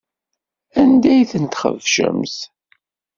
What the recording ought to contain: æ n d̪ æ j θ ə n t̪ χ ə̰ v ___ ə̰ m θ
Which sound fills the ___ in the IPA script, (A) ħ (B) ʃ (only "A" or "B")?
B